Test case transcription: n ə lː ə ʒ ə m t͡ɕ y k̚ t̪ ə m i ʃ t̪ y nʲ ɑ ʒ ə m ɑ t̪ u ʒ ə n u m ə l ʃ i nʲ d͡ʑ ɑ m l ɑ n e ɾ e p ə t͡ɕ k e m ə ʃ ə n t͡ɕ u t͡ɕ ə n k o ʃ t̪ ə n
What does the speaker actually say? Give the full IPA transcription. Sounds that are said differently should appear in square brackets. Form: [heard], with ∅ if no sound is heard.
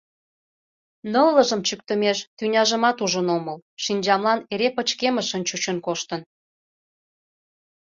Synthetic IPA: n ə lː ə ʒ ə m t͡ɕ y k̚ t̪ ə m [e] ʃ t̪ y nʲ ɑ ʒ ə m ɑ t̪ u ʒ ə n [o] m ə l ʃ i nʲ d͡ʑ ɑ m l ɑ n e ɾ e p ə t͡ɕ k e m ə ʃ ə n t͡ɕ u t͡ɕ ə n k o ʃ t̪ ə n